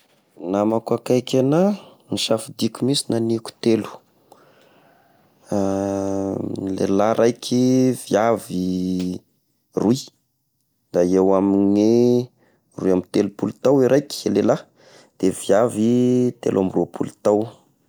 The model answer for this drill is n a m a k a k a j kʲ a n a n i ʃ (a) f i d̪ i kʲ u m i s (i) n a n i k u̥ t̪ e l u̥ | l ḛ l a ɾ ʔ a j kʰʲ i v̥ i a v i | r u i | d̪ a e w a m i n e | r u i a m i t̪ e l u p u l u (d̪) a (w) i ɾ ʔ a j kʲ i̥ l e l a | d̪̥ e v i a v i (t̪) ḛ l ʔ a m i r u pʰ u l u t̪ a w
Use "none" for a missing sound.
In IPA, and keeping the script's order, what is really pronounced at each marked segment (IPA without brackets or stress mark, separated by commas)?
a, i, t̪, w, t̪